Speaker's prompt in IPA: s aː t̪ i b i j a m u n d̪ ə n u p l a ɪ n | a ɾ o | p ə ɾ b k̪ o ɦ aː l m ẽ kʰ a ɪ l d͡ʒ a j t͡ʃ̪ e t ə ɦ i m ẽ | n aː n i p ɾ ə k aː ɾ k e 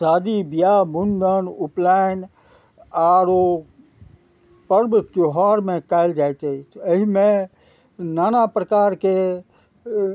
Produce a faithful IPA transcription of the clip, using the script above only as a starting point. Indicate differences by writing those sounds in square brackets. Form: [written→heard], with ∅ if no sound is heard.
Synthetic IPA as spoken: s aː [t̪→d̪] i b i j a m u n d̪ ə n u p l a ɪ n | a ɾ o | p ə ɾ b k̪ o ɦ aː [l→ɾ] m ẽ [kʰ→k] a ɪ l d͡ʒ a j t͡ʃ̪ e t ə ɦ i m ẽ | n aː n [i→a] p ɾ ə k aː ɾ k e

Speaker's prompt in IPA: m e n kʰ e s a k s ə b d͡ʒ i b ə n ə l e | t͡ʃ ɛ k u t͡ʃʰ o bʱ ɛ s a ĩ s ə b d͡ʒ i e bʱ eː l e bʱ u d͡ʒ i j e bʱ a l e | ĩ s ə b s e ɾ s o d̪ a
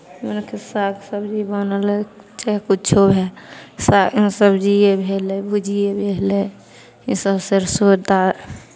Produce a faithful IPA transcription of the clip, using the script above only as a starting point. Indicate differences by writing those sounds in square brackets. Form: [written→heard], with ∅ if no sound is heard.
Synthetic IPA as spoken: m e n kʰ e s a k s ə b d͡ʒ i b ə n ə l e | t͡ʃ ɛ k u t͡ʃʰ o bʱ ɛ s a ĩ s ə b d͡ʒ i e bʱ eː l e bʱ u d͡ʒ i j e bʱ [a→e] l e | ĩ s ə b s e ɾ s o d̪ a

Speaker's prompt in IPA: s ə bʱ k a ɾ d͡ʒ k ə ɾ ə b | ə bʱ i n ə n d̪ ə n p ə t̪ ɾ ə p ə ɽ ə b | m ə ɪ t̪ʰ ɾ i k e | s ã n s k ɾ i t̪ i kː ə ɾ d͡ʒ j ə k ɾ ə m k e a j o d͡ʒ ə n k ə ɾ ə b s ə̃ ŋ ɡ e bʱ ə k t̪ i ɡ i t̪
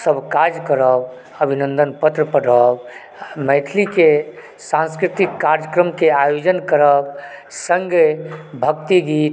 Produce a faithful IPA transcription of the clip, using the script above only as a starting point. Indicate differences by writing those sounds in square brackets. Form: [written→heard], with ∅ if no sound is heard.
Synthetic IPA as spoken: s ə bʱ k a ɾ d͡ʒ k ə ɾ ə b | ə bʱ i n ə n d̪ ə n p ə t̪ ɾ ə p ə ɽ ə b | m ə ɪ t̪ʰ [ɾ→l] i k e | s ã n s k ɾ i t̪ i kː [ə→a] ɾ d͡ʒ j ə k ɾ ə m k e a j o d͡ʒ ə n k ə ɾ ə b s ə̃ ŋ ɡ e bʱ ə k t̪ i ɡ i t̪

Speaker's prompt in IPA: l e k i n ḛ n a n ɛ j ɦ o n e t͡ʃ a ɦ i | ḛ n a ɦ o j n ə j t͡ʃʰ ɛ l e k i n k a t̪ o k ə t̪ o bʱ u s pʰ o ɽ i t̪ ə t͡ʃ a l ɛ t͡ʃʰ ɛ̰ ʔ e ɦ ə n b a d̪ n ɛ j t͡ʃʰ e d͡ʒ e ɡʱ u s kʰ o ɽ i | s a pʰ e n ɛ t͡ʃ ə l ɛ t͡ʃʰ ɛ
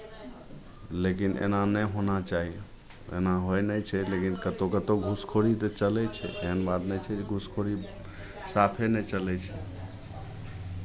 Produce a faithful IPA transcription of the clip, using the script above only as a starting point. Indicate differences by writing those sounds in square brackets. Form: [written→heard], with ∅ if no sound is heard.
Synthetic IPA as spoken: l e k i n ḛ n a n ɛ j ɦ o n [e→a] t͡ʃ a ɦ i | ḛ n a ɦ o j n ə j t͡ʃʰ ɛ l e k i n k [a→ə] t̪ o k ə t̪ o [bʱ→ɡʱ] u s [pʰ→kʰ] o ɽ i t̪ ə t͡ʃ [a→ə] l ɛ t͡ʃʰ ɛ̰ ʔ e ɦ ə n b a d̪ n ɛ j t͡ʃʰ [e→ɛ] d͡ʒ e ɡʱ u s kʰ o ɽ i | s a pʰ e n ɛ t͡ʃ ə l ɛ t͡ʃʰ ɛ

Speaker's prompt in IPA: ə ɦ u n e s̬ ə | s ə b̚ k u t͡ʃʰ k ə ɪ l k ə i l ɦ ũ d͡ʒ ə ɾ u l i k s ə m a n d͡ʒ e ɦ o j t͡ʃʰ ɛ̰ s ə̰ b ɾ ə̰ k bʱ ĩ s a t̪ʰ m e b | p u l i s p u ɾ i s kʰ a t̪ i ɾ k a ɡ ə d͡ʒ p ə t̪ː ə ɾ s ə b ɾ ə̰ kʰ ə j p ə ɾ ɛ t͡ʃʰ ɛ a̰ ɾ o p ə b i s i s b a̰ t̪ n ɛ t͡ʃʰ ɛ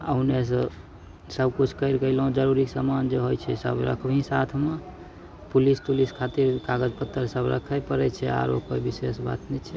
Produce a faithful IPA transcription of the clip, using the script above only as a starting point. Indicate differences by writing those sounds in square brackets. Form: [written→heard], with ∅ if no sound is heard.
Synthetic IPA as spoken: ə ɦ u n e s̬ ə | s ə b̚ k u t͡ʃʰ k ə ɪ [l→ɾ] k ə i l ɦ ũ d͡ʒ ə ɾ u [l→ɾ] i k s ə m a n d͡ʒ e ɦ o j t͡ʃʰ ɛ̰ s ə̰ b ɾ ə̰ [k→kʰ] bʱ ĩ s a t̪ʰ m e [b→∅] | p u l i s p u [ɾ→l] i s kʰ a t̪ i ɾ k a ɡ ə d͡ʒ p ə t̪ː ə ɾ s ə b ɾ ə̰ kʰ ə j p ə ɾ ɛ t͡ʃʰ ɛ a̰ ɾ o p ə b i s [i→e] s b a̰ t̪ n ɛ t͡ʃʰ ɛ

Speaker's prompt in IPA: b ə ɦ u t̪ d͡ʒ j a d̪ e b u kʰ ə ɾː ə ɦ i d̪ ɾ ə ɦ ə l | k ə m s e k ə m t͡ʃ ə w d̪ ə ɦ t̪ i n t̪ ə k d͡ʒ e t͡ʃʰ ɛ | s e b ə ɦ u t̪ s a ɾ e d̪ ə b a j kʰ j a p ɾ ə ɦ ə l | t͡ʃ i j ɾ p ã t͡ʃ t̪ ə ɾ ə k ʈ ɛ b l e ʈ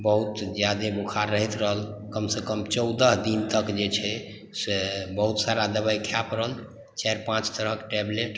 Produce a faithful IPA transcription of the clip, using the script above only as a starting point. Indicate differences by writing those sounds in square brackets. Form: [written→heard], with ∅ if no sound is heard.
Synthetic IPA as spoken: b ə ɦ u t̪ d͡ʒ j a d̪ e b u kʰ [ə→a] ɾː ə ɦ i [d̪→t̪] ɾ ə ɦ ə l | k ə m s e k ə m t͡ʃ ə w d̪ ə ɦ [t̪→d̪] i n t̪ ə k d͡ʒ e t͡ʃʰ ɛ | s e b ə ɦ u t̪ s a ɾ [e→a] d̪ ə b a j kʰ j a p ɾ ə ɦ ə l | t͡ʃ [i→a] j ɾ p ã t͡ʃ t̪ ə ɾ ə k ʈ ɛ b l e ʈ

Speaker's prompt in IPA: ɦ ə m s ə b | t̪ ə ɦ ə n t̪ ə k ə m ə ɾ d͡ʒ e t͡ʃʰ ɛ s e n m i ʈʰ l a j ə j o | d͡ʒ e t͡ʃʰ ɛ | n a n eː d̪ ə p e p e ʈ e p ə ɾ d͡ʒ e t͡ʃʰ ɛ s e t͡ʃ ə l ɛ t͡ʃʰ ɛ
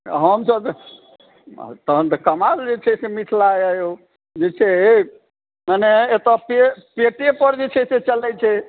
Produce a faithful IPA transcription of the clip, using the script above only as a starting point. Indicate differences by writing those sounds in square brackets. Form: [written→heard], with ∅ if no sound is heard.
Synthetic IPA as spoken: ɦ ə m s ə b | t̪ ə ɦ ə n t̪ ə k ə m [ə→a] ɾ d͡ʒ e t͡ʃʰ ɛ s e [n→∅] m i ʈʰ l a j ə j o | d͡ʒ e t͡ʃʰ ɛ | [n→m] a n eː [d̪→t̪] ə p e p e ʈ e p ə ɾ d͡ʒ e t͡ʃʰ ɛ s e t͡ʃ ə l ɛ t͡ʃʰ ɛ

